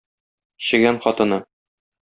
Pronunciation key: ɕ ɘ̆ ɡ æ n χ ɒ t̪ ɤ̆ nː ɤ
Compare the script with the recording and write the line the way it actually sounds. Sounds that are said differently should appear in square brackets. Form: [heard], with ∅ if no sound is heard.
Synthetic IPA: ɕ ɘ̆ ɡ æ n χ ɒ t̪ ɤ̆ [n] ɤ